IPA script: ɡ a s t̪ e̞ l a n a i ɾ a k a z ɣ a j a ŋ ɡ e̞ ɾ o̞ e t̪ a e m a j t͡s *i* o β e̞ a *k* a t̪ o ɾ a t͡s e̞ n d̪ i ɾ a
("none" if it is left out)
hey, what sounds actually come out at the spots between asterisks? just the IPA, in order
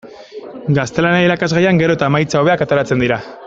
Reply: a, k

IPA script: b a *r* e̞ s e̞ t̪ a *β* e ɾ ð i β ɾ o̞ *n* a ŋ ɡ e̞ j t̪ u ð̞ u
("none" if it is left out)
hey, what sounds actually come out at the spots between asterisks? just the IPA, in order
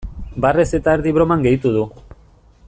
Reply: r, none, m

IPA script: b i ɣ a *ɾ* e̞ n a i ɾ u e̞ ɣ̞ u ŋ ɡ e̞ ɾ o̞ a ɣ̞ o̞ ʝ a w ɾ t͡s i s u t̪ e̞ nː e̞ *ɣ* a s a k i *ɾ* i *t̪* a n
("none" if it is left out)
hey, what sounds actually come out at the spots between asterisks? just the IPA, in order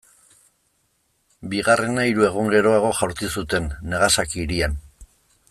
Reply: r, ɣ, ɾ, none

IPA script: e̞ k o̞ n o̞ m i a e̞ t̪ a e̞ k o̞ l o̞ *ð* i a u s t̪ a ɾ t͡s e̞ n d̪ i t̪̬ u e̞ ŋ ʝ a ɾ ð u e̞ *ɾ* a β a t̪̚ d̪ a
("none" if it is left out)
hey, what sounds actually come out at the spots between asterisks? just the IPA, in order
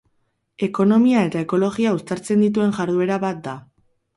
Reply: ɣ, ɾ

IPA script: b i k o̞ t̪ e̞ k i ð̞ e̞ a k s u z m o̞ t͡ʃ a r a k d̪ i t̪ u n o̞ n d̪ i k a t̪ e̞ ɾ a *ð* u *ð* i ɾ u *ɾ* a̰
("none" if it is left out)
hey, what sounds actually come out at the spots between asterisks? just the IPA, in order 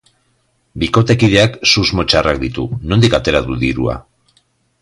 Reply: ð, ð, none

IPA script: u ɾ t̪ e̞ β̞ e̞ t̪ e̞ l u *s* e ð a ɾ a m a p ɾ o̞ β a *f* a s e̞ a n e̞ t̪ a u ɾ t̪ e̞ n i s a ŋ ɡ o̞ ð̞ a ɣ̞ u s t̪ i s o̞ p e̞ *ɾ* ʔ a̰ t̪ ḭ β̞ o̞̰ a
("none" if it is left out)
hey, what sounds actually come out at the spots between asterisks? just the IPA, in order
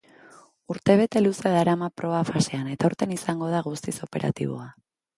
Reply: s, f, ɾ

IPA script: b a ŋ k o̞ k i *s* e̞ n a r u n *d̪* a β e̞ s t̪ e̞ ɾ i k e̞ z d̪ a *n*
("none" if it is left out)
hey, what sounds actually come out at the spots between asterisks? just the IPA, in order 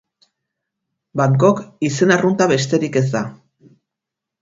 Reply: s, t̪, none

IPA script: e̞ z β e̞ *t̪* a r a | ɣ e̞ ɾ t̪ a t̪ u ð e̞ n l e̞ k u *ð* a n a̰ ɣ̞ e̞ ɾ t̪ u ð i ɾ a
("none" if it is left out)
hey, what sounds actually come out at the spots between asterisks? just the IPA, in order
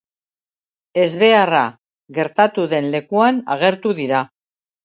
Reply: none, none

